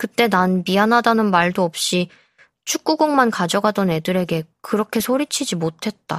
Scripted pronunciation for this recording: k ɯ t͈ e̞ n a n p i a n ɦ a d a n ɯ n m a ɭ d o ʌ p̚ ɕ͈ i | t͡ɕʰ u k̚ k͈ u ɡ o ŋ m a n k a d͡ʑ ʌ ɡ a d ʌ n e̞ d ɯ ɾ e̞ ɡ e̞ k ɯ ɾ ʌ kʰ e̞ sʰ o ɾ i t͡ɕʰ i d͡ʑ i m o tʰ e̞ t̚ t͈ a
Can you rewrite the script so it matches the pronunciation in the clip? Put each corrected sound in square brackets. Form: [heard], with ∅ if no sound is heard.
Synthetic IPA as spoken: k ɯ t͈ e̞ n a n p i a n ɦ a d a n ɯ n m a ɭ d o ʌ p̚ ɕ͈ i | t͡ɕʰ u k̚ k͈ u ɡ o ŋ m a n k a d͡ʑ ʌ ɡ a d ʌ n e̞ d ɯ ɾ e̞ ɡ e̞ k ɯ ɾ ʌ kʰ e̞ sʰ o ɾ i t͡ɕʰ i d͡ʑ i m o tʰ e̞ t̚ t͈ a